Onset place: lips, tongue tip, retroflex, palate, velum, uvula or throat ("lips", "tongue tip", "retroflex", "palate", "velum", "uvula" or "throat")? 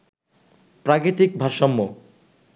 lips